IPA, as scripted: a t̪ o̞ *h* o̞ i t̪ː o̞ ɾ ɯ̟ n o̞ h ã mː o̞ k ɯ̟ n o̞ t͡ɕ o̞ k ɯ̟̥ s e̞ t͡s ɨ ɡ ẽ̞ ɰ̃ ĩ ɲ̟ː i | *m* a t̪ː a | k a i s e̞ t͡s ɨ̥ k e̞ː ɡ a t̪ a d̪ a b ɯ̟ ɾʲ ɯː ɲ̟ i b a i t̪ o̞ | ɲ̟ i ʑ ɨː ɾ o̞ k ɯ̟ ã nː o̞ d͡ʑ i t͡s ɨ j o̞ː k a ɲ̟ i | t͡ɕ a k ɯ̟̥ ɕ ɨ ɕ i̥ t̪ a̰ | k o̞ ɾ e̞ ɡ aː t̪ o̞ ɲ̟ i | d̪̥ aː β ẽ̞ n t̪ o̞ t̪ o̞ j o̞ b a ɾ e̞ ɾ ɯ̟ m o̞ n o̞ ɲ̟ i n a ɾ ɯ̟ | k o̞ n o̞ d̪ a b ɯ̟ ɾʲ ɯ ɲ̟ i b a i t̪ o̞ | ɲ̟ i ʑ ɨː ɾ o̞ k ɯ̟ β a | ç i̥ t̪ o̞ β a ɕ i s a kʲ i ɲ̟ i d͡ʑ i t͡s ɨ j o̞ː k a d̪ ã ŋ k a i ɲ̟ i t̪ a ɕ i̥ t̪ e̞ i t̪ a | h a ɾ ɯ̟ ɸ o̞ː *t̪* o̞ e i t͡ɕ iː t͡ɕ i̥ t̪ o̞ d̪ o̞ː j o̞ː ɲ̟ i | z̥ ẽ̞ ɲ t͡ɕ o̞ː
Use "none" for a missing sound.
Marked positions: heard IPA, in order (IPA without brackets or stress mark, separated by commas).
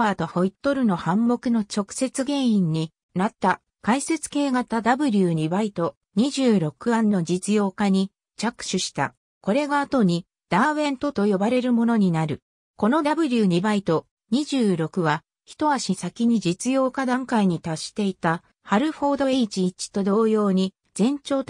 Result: h, n, d̪